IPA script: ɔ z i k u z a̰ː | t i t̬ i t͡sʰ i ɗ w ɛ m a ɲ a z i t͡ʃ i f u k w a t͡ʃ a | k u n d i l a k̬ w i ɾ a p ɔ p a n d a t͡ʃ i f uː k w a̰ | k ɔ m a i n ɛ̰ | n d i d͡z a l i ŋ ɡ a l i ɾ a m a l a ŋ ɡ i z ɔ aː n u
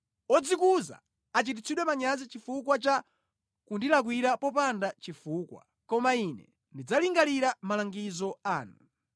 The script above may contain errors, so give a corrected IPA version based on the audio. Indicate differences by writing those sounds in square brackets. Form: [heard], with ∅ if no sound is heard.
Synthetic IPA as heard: ɔ [d͡z] i k u z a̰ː | [t͡ʃ] i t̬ i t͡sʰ i ɗ w ɛ m a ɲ a z i t͡ʃ i f u k w a t͡ʃ a | k u n d i l a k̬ w i ɾ a p ɔ p a n d a t͡ʃ i f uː k w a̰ | k ɔ m a i n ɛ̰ | n d i d͡z a l i ŋ ɡ a l i ɾ a m a l a ŋ ɡ i z ɔ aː n u